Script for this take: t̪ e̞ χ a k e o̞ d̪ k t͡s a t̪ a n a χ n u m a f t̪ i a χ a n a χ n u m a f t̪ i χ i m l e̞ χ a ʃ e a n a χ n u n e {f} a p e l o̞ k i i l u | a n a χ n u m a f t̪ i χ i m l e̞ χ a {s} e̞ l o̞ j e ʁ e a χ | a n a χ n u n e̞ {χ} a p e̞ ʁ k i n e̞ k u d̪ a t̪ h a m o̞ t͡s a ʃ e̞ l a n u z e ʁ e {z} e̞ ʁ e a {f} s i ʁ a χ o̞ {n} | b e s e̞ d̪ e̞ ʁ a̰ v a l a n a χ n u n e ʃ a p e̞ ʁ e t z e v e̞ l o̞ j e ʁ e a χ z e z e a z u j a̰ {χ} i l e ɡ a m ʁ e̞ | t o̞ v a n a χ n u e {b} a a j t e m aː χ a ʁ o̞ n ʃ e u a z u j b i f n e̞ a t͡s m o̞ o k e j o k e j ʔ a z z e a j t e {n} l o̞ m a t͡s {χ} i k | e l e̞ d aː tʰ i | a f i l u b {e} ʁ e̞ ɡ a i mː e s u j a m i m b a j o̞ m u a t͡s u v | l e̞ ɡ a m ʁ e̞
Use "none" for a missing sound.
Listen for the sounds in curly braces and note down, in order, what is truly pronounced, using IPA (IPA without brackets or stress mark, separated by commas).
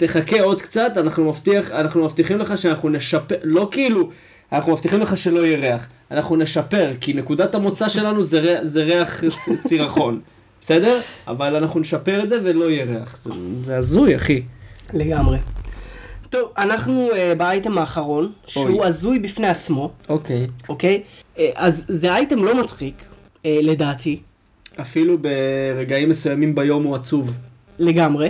ʃ, ʃ, ʃ, z, χ, n, χ, b, m, χ, e